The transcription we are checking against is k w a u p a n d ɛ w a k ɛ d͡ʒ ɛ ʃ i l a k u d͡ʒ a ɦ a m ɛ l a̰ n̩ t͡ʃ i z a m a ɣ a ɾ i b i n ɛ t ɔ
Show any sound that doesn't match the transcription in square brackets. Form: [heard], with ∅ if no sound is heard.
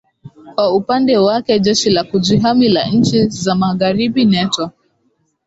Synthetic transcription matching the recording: k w a u p a n d ɛ w a k ɛ d͡ʒ ɛ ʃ i l a k u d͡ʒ [i] ɦ a m [i] l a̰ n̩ t͡ʃ i z a m a ɣ a ɾ i b i n ɛ t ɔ